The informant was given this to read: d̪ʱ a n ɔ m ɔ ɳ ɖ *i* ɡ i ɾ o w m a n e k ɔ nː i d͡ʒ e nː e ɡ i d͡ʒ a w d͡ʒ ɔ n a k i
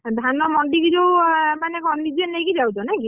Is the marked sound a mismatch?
no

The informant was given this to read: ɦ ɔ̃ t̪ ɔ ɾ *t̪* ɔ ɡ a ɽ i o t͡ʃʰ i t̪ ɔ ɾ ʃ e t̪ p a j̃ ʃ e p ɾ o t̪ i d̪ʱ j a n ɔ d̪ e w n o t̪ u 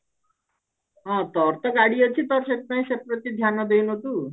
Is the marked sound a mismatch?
no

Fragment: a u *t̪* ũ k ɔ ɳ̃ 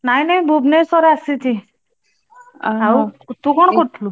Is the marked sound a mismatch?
no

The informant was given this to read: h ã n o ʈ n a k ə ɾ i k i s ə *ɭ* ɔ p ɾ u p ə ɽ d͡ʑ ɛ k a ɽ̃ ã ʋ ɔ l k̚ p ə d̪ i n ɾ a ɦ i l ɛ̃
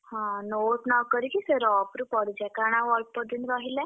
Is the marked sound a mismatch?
yes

